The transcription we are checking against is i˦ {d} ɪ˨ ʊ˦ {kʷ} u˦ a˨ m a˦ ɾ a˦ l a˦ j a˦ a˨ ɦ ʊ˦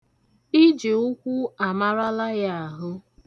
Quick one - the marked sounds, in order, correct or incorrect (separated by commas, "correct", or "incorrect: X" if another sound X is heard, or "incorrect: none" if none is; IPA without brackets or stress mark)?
incorrect: d͡ʒ, correct